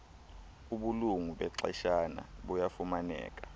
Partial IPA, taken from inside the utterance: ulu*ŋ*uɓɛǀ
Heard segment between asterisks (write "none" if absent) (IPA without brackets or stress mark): ŋ